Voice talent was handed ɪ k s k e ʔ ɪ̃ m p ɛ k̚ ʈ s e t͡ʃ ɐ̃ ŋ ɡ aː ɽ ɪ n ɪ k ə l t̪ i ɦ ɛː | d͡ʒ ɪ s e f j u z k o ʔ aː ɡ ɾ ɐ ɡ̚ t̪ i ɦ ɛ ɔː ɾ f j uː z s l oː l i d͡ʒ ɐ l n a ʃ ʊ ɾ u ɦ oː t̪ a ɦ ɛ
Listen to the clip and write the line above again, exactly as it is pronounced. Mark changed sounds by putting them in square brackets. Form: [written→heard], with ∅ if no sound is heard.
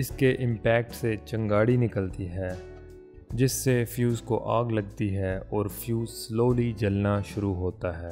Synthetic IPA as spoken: ɪ [k→∅] s k e ʔ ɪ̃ m p [ɛ→ɛː] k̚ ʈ s e t͡ʃ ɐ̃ ŋ ɡ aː ɽ [ɪ→i] n ɪ k ə l t̪ i ɦ ɛː | d͡ʒ ɪ [s→sː] e f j [u→uː] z k o ʔ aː ɡ [ɾ→l] ɐ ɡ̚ t̪ i ɦ ɛ ɔː ɾ f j uː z s l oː l i d͡ʒ ɐ l n a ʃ ʊ ɾ u ɦ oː t̪ a ɦ [ɛ→ɛː]